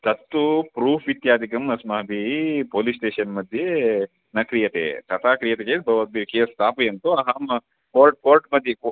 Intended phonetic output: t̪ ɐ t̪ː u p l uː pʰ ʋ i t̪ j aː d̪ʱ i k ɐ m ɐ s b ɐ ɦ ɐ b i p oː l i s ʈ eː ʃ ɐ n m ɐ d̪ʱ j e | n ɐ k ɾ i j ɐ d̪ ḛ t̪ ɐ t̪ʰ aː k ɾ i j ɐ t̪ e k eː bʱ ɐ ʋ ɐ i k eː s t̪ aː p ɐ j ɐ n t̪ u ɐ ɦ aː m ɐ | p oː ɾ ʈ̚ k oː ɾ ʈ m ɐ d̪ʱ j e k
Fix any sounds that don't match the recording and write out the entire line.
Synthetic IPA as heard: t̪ ɐ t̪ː u p ɾ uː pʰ ʋ i t̪ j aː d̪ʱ i k ɐ m ɐ s m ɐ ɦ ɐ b i p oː l i s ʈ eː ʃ ɐ n m ɐ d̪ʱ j e | n ɐ k ɾ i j ɐ t̪ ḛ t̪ ɐ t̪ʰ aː k ɾ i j ɐ t̪ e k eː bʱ ɐ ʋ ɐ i k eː s t̪ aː p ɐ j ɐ n t̪ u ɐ ɦ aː m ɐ | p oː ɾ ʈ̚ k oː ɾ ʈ m ɐ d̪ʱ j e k